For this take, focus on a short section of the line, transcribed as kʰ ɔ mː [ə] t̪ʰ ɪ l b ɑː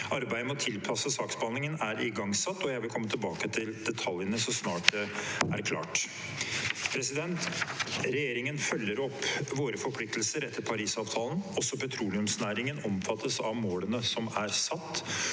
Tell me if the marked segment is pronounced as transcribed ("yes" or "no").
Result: yes